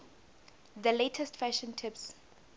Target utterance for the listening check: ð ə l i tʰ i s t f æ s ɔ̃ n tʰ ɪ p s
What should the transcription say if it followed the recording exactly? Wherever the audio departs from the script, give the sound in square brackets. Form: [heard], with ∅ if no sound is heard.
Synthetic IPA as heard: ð ə l [e] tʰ [ɛ] s t f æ [ʃ] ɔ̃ n tʰ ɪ p s